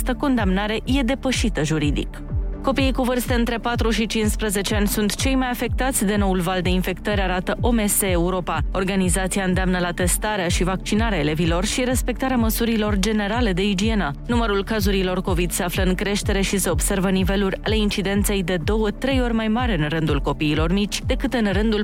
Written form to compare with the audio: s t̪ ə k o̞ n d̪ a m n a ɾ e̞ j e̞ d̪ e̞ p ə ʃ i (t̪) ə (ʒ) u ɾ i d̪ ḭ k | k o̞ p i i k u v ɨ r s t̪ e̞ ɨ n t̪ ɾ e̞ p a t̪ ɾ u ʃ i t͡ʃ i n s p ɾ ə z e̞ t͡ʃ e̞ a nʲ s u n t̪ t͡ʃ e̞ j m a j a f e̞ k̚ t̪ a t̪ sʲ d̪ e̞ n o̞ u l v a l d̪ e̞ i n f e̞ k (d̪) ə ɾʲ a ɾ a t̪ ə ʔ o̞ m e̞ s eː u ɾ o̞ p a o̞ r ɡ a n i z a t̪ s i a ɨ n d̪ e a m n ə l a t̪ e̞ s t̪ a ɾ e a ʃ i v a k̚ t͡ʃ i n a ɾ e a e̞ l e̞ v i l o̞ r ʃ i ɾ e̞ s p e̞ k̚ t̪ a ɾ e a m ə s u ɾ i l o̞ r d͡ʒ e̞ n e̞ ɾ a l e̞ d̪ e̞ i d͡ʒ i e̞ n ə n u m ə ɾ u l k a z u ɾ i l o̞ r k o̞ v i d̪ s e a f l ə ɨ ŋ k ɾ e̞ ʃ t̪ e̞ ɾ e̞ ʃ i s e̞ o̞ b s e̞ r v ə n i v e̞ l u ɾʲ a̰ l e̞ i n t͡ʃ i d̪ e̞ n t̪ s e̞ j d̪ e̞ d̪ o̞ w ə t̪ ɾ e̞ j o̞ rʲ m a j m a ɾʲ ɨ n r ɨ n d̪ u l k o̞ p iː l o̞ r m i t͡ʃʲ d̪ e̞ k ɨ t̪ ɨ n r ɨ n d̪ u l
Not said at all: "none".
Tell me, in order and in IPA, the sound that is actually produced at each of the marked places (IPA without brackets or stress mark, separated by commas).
t̪, ʒ, t̪